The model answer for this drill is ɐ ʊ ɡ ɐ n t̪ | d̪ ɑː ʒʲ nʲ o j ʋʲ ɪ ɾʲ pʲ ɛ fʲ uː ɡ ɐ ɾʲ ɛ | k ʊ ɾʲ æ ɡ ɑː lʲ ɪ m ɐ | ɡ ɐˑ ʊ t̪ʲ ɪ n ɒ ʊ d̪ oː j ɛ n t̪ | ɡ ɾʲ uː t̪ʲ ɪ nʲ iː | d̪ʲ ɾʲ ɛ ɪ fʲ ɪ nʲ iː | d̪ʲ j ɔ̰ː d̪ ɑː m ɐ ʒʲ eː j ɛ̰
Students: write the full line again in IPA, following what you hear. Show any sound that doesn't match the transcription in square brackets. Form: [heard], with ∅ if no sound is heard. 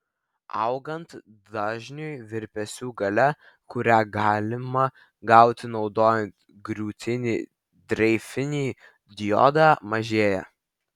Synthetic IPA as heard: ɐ ʊ ɡ ɐ n t̪ | d̪ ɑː ʒʲ nʲ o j ʋʲ ɪ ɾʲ pʲ ɛ [sʲ] uː ɡ ɐ [lʲ] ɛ | k ʊ ɾʲ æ ɡ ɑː lʲ ɪ m ɐ | ɡ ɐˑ ʊ t̪ʲ ɪ n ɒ ʊ d̪ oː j ɛ n t̪ | ɡ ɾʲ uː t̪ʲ ɪ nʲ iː | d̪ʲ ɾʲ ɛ ɪ fʲ ɪ nʲ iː | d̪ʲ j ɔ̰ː d̪ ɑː m ɐ ʒʲ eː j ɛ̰